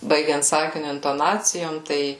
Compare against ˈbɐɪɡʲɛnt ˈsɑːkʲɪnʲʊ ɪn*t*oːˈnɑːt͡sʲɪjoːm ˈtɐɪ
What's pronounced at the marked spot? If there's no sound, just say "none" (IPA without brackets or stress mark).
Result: t